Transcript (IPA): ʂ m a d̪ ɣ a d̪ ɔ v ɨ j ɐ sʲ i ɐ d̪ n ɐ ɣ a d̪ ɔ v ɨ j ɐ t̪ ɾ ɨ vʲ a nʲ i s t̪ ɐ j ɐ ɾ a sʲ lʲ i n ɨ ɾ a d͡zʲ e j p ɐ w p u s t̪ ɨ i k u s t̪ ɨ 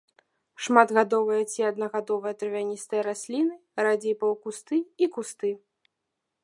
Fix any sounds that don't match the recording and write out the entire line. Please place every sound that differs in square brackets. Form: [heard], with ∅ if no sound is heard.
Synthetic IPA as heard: ʂ m a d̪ ɣ a d̪ ɔ v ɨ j ɐ [t͡sʲ] i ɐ d̪ n ɐ ɣ a d̪ ɔ v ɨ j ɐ t̪ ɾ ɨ vʲ a nʲ i s t̪ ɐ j ɐ ɾ a sʲ lʲ i n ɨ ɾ a d͡zʲ e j p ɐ w [k] u s t̪ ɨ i k u s t̪ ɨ